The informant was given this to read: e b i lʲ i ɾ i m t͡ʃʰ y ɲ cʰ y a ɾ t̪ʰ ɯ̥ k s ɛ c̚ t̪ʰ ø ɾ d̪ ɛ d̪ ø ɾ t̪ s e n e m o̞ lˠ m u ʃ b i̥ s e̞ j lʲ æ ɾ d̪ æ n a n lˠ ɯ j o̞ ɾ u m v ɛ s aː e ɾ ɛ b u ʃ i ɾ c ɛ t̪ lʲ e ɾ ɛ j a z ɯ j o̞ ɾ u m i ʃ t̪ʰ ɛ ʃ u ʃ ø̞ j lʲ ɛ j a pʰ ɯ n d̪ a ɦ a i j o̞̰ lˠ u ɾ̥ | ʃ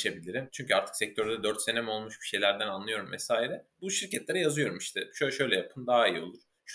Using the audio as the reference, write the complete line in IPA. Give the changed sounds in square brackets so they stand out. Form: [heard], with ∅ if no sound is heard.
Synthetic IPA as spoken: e b i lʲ i ɾ i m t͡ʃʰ y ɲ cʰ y a ɾ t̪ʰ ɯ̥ k s ɛ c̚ t̪ʰ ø ɾ d̪ ɛ d̪ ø ɾ t̪ s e n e m o̞ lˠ m u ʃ b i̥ [ʃ] e̞ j lʲ æ ɾ d̪ æ n a n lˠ ɯ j o̞ ɾ u m v ɛ s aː [i] ɾ ɛ b u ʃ i ɾ c ɛ t̪ lʲ e ɾ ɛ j a z ɯ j o̞ ɾ u m i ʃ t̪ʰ ɛ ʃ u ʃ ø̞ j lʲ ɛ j a pʰ ɯ n d̪ a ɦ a i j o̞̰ lˠ u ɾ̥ | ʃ